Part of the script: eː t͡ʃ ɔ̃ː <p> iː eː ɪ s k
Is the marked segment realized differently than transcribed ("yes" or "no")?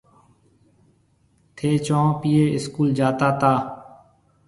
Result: no